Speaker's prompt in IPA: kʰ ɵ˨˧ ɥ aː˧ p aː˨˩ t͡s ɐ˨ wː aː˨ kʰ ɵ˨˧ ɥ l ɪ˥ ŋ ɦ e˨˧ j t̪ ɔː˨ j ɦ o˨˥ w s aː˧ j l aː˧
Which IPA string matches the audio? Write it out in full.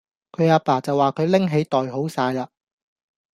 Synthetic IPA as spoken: kʰ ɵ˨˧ ɥ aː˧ p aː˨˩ t͡s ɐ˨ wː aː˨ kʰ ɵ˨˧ ɥ l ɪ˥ ŋ ɦ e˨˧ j t̪ ɔː˨ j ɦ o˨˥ w s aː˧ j l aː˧